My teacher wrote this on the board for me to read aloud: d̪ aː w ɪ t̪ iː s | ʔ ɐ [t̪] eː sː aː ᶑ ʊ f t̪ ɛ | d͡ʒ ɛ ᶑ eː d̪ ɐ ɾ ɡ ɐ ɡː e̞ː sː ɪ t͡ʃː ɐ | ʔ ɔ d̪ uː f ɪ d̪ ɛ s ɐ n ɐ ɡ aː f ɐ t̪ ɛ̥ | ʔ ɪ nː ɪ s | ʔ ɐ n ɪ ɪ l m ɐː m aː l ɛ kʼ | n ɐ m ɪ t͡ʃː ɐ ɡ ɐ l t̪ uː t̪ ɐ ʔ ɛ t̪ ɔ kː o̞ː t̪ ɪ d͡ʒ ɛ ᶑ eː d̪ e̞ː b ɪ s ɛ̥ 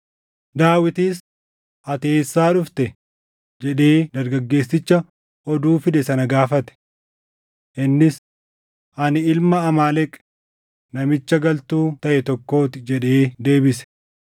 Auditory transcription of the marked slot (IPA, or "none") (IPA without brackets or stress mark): t̪